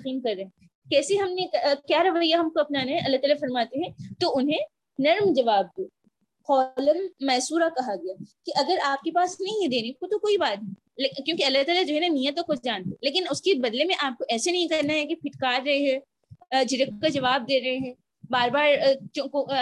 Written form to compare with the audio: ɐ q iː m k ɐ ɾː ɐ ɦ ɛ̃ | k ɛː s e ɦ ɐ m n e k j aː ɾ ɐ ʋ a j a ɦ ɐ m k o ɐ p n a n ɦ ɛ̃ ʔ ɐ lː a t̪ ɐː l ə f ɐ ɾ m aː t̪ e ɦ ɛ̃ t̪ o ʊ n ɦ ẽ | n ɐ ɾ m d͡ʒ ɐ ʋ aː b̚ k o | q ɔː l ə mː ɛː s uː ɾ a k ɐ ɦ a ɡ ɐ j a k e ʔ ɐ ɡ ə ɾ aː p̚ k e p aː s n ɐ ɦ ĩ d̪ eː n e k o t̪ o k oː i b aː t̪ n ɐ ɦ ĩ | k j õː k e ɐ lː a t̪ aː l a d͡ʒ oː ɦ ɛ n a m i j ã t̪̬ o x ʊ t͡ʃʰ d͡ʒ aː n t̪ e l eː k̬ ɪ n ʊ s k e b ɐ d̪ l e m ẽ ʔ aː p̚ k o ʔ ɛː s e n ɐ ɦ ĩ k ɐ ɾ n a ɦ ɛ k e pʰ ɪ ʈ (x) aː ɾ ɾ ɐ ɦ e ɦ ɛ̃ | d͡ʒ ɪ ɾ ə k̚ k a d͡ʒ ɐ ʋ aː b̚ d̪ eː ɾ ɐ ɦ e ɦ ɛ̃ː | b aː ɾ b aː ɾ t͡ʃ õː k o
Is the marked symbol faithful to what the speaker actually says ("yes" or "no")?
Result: no